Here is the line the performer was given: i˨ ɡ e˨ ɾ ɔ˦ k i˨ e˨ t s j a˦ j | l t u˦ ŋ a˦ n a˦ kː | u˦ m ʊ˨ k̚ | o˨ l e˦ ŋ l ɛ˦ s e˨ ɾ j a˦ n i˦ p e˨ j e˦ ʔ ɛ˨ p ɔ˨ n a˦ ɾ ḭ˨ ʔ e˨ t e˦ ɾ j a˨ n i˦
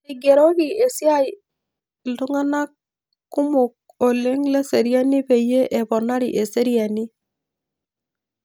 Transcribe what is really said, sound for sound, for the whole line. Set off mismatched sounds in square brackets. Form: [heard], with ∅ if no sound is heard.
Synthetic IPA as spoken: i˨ ɡ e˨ ɾ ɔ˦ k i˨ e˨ [∅] s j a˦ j | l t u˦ ŋ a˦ n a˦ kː | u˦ m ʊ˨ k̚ | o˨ l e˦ ŋ l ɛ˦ s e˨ ɾ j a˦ n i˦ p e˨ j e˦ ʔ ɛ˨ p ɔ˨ n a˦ ɾ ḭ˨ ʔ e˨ [s] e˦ ɾ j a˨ n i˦